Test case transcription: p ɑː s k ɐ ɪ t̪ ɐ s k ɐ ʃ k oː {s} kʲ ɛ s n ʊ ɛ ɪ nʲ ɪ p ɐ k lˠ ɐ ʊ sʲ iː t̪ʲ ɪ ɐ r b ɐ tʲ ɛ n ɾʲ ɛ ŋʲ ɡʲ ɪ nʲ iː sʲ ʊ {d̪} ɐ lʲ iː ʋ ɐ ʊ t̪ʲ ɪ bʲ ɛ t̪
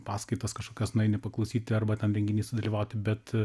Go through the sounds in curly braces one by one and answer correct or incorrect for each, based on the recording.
incorrect: none, correct

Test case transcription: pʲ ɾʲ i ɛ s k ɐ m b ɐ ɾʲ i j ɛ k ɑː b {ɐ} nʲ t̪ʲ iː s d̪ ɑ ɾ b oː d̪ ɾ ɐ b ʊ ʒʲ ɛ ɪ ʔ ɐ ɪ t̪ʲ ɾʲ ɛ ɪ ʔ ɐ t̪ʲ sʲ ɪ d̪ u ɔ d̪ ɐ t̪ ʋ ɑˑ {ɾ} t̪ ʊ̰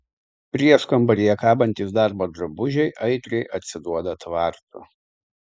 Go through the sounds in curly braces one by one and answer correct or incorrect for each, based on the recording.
correct, correct

